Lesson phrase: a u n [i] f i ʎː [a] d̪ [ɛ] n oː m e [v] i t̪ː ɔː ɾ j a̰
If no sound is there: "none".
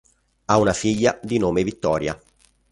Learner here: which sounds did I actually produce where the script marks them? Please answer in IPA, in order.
a, a, i, v

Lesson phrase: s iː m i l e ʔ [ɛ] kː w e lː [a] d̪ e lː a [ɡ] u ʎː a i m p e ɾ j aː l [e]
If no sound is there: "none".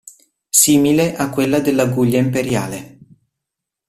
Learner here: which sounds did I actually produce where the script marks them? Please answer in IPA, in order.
a, a, ɡ, e

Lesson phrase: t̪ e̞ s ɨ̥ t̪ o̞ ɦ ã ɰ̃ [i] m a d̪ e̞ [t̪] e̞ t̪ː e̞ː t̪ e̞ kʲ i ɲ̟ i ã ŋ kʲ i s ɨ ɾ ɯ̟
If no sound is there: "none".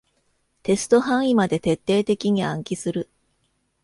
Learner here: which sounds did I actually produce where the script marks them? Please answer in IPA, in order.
i, t̪

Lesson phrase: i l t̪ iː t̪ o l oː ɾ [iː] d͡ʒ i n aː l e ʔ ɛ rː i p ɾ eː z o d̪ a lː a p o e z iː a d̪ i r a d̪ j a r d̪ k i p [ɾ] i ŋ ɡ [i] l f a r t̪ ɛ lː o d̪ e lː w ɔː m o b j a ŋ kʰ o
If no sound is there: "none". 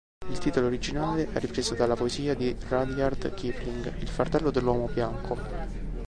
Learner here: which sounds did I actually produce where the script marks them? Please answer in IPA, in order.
i, l, i

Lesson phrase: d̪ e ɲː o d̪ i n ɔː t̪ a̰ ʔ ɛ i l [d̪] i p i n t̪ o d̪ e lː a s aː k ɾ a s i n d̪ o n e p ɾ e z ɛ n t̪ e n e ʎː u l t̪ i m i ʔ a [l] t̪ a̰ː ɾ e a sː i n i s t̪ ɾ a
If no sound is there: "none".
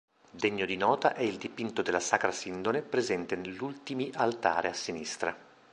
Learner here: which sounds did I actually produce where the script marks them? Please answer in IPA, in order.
d̪, l

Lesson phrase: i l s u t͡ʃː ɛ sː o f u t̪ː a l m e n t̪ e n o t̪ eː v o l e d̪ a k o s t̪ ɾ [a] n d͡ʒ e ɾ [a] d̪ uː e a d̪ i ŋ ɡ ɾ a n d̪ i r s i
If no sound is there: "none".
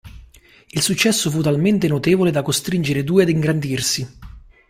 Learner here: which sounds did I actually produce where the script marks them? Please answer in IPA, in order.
i, e

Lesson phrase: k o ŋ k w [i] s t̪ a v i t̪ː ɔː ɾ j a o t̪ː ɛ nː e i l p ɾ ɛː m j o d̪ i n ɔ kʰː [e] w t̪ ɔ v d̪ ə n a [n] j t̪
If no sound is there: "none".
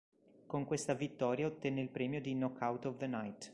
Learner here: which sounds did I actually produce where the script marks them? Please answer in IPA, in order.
e, a, none

